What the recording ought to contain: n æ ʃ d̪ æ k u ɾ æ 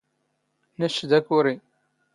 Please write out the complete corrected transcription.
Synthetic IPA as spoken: n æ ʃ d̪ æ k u ɾ i

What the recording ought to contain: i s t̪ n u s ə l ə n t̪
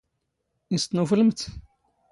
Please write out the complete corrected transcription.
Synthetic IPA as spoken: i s t̪ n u f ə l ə m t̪

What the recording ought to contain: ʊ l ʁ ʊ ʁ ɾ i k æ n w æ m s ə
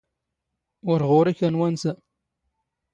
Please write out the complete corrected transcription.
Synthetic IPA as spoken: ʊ ɾ ʁ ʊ ɾ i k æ n w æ n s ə

